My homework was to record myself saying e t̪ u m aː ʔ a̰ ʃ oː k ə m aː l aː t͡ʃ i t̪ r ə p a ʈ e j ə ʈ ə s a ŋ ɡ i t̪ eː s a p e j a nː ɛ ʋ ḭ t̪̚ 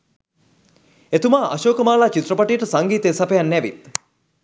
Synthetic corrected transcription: e t̪ u m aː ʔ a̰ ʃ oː k ə m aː l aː t͡ʃ i t̪ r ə p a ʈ i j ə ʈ ə s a ŋ ɡ iː t̪ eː s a p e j a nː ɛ ʋ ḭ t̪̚